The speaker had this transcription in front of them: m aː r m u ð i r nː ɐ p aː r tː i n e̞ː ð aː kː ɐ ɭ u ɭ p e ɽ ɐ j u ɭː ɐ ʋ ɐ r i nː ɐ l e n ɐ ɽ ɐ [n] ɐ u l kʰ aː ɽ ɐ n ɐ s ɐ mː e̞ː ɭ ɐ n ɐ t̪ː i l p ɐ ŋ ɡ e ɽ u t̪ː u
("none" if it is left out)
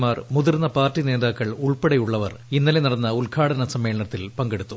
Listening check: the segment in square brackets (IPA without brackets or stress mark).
nː